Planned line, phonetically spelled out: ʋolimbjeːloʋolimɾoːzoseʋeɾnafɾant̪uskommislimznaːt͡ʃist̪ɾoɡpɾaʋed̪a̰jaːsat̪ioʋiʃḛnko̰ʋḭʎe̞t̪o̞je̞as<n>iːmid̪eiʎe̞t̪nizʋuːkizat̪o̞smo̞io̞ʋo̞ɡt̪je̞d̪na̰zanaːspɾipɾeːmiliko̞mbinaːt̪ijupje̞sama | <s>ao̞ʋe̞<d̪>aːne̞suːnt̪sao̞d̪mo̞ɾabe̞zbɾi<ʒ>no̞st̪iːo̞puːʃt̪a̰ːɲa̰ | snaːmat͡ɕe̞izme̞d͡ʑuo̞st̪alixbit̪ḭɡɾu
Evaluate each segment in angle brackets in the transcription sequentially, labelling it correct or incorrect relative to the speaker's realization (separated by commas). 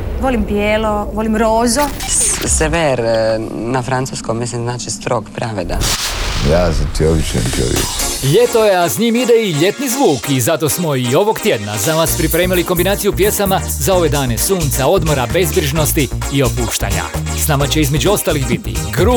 incorrect, incorrect, correct, correct